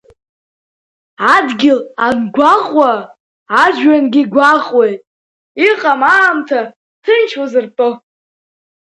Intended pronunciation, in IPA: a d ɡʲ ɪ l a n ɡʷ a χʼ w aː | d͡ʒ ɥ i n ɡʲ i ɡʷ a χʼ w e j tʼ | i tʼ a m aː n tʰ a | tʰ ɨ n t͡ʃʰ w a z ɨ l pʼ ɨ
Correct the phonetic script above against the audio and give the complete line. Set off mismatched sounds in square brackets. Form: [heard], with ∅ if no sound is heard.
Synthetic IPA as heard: a d ɡʲ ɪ l a n ɡʷ a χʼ w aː | d͡ʒ ɥ [a] n ɡʲ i ɡʷ a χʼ w e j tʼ | i [qʼ] a m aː [m] tʰ a | tʰ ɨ n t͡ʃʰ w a z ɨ [r] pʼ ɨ